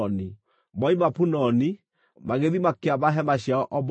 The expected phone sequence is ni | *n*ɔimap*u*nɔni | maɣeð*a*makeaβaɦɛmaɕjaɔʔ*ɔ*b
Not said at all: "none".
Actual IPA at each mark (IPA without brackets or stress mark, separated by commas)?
m, u, i, ɔ